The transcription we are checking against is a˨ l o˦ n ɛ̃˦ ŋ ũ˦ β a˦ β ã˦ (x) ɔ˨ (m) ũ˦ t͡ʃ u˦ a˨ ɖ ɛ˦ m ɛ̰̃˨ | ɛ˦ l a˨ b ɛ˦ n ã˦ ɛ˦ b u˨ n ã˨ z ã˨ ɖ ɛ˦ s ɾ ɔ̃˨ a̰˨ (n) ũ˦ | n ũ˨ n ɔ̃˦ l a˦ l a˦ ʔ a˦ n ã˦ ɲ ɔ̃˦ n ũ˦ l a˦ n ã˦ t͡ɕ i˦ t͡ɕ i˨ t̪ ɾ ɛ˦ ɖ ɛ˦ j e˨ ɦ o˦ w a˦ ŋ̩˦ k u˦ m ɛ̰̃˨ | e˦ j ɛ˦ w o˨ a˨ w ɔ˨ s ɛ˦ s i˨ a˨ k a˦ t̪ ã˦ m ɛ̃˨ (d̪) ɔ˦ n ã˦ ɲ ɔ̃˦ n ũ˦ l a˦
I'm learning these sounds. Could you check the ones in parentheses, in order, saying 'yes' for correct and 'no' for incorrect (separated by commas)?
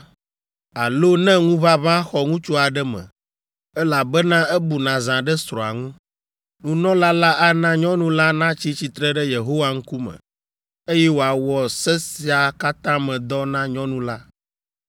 yes, no, no, yes